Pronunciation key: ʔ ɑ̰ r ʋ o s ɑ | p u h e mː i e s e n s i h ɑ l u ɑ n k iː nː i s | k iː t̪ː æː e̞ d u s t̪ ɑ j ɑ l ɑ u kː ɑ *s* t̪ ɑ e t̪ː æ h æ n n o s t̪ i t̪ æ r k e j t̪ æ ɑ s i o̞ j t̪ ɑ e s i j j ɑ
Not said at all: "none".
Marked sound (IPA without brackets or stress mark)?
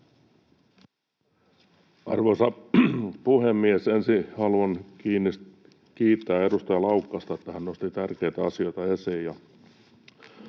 s